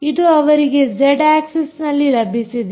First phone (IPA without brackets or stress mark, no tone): i